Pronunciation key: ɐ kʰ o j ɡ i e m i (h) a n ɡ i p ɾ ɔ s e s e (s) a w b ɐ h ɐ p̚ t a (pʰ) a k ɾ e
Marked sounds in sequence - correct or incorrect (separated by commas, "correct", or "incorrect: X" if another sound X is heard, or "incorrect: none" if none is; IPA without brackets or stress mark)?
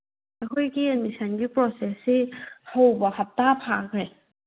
incorrect: s, incorrect: h, correct